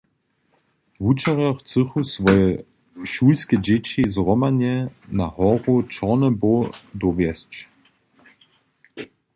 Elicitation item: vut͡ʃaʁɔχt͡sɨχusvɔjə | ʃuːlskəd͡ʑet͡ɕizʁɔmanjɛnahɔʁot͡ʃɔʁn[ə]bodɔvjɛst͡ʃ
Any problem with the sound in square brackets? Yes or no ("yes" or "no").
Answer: no